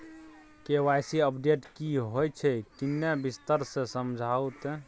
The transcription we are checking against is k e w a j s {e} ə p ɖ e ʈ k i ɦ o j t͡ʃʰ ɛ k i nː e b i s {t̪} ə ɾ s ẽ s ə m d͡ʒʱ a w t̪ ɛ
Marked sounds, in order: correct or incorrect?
incorrect, correct

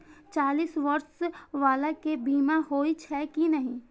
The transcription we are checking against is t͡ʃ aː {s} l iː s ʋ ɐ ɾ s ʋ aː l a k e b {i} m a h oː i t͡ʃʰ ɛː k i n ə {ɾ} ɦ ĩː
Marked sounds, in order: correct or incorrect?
incorrect, incorrect, incorrect

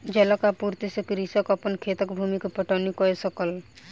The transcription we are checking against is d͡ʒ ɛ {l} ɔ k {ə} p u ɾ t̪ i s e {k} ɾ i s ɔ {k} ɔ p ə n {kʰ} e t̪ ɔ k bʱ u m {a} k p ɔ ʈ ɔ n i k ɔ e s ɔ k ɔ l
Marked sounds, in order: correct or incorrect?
correct, incorrect, correct, correct, correct, incorrect

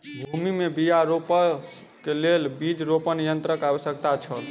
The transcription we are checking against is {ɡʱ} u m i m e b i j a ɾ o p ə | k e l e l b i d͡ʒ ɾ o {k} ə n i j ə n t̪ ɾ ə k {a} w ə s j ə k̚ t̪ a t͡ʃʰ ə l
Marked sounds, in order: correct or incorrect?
incorrect, incorrect, correct

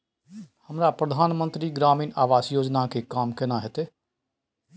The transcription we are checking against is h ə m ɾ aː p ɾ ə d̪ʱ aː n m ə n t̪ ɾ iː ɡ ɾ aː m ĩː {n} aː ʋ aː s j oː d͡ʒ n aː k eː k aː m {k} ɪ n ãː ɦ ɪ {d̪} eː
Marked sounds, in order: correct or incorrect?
correct, correct, incorrect

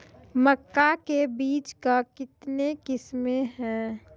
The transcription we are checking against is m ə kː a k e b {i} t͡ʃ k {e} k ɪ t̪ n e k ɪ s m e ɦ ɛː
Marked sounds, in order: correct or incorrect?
incorrect, incorrect

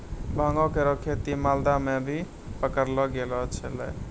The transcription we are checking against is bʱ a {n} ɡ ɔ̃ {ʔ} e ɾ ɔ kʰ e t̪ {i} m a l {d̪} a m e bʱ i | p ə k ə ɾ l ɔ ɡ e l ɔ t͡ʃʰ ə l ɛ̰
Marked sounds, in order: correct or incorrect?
incorrect, incorrect, correct, correct

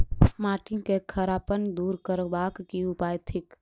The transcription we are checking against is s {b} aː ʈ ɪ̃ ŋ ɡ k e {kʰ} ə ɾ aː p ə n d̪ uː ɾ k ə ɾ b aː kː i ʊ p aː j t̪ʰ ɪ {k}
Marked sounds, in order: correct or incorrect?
incorrect, correct, correct

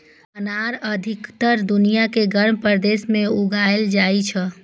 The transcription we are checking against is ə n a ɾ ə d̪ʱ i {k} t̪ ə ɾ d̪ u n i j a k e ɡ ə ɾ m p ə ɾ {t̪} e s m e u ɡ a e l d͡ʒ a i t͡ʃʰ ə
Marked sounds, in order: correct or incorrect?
correct, incorrect

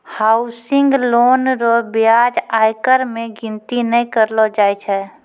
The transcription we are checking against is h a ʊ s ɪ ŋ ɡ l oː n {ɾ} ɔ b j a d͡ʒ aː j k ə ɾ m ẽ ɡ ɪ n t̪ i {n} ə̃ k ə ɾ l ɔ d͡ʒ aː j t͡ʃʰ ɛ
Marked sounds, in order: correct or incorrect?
correct, correct

